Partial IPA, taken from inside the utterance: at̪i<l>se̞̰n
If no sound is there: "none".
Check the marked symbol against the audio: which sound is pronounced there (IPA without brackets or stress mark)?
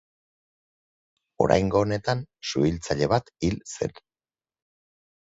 l